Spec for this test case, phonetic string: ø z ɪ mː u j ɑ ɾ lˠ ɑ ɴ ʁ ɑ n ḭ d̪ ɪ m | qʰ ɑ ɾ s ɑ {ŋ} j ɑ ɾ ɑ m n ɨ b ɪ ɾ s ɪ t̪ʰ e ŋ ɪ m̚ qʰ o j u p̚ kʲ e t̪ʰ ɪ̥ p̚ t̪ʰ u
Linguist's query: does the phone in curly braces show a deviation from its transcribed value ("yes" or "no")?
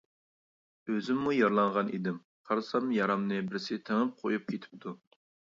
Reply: yes